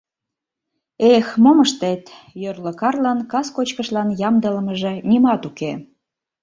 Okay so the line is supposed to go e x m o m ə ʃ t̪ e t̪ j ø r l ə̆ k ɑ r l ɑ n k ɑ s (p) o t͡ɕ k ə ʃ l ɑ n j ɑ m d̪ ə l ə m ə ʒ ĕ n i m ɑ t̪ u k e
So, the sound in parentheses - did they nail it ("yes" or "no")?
no